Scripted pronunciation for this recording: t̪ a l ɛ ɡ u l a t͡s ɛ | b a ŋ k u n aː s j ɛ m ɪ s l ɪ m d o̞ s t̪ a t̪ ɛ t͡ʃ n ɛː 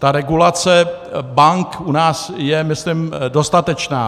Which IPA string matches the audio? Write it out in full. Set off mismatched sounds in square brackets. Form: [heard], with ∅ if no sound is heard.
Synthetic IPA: t̪ a [ɾ] ɛ ɡ u l a t͡s ɛ | b a ŋ k u n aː s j ɛ m ɪ s l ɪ m d o̞ s t̪ a t̪ ɛ t͡ʃ n [aː]

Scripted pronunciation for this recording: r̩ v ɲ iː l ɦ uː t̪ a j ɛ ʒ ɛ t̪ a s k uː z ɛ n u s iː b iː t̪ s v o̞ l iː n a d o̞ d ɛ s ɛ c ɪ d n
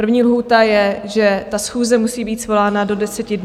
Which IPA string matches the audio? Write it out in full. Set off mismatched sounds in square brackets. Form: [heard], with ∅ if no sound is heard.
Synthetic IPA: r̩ v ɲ iː l ɦ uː t̪ a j ɛ ʒ ɛ t̪ a s [x] uː z ɛ [m] u s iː b iː t̪ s v o̞ l [aː] n a d o̞ d ɛ s ɛ c ɪ d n

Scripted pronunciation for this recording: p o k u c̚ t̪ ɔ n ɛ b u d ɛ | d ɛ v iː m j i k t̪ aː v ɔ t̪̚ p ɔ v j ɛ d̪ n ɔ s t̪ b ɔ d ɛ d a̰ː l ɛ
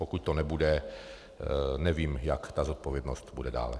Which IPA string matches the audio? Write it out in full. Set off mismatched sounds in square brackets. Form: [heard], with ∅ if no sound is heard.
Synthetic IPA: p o k u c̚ t̪ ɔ n ɛ b u d ɛ | [n] ɛ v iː m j [a] k t̪ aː [z] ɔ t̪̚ p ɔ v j ɛ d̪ n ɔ s t̪ b [u] d ɛ d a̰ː l ɛ

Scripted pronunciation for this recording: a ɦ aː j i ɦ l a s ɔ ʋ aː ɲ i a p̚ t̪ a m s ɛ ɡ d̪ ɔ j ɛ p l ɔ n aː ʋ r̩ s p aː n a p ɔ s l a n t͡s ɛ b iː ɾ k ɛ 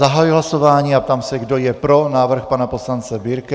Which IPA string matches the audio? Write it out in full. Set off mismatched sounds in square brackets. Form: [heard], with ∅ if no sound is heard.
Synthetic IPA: a ɦ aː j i ɦ l a s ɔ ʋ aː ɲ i a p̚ t̪ a m s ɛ ɡ d̪ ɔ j ɛ p [ɾ] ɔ n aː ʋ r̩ [x] p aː n a p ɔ s l a n t͡s ɛ b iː ɾ k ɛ

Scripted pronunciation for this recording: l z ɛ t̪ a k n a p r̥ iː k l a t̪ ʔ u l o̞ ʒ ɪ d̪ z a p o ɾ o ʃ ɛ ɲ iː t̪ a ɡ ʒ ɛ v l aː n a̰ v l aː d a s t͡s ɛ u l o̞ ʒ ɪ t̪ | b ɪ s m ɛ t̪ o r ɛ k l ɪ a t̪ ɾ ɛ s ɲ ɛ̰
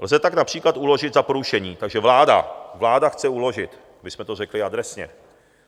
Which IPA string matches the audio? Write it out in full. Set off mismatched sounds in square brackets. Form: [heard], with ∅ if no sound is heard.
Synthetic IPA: l z ɛ t̪ a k n a p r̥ iː k l a t̪ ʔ u l o̞ ʒ ɪ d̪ z a p o ɾ [u] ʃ ɛ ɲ iː t̪ a ɡ ʒ ɛ v l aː [d] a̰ v l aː d a [x] t͡s ɛ u l o̞ ʒ ɪ t̪ | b ɪ s m ɛ t̪ o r ɛ k l ɪ a [d̪] ɾ ɛ s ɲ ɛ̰

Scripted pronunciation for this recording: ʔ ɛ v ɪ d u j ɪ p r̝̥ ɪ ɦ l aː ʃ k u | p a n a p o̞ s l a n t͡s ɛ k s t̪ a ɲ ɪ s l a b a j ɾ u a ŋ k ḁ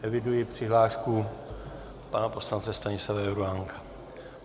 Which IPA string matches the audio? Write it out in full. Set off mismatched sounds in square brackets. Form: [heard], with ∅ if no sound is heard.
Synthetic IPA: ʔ ɛ v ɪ d u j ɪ p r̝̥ ɪ ɦ l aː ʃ k u | p a n a p o̞ s l a n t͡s ɛ [∅] s t̪ a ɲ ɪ s l a [v] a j ɾ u a ŋ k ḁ

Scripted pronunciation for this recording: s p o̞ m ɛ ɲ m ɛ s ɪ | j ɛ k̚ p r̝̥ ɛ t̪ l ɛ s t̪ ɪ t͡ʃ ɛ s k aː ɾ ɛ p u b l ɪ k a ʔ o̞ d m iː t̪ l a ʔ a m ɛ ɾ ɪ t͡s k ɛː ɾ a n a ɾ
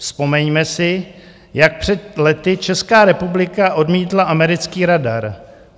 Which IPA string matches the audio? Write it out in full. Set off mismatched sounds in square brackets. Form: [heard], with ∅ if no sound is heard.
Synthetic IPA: s p o̞ m ɛ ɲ m ɛ s ɪ | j [a] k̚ p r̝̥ ɛ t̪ l ɛ [∅] t̪ ɪ t͡ʃ ɛ s k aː ɾ ɛ p u b l ɪ k a ʔ o̞ d m iː t̪ l a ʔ a m ɛ ɾ ɪ t͡s k [iː] ɾ a [d] a ɾ

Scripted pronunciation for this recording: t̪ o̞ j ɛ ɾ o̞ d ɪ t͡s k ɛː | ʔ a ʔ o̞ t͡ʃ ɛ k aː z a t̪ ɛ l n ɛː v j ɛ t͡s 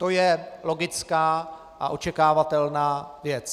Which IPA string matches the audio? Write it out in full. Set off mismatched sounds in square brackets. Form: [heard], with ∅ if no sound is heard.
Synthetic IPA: t̪ o̞ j ɛ [l] o̞ [ɡ] ɪ t͡s k [aː] | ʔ a ʔ o̞ t͡ʃ ɛ k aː [v] a t̪ ɛ l n [aː] v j ɛ t͡s

